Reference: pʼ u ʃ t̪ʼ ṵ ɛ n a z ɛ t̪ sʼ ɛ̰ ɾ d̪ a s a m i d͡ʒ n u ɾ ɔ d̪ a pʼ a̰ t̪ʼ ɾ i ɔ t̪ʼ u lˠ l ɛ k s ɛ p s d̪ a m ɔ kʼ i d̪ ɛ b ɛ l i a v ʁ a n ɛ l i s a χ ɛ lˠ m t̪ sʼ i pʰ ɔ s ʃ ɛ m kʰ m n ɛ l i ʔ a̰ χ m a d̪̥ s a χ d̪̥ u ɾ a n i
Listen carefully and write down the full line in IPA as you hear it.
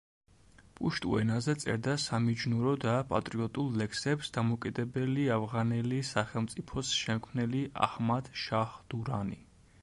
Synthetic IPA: pʼ u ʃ t̪ʼ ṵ ɛ n a z ɛ t̪ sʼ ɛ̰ ɾ d̪ a s a m i d͡ʒ n u ɾ ɔ d̪ a pʼ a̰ t̪ʼ ɾ i ɔ t̪ʼ u lˠ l ɛ k s ɛ p s d̪ a m ɔ kʼ i d̪ ɛ b ɛ l i a v ʁ a n ɛ l i s a χ ɛ lˠ m t̪ sʼ i pʰ ɔ s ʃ ɛ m kʰ m n ɛ l i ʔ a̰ h m a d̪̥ ʃ a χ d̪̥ u ɾ a n i